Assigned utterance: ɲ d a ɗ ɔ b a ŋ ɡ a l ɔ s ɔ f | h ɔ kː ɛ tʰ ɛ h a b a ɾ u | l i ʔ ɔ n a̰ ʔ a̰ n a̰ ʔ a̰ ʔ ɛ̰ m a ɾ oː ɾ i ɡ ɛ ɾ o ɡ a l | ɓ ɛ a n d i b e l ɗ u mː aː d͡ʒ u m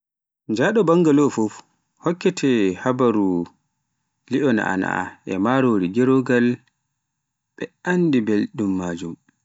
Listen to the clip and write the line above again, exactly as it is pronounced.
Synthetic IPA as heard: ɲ d͡ʒ a ɗ ɔ b a ŋ ɡ a l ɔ f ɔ f | h ɔ kː ɛ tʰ ɛ h a b a ɾ u | l i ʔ ɔ n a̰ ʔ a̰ n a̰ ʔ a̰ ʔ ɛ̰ m a ɾ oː ɾ i ɡ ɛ ɾ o ɡ a l | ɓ ɛ a n d i b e l ɗ u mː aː d͡ʒ u m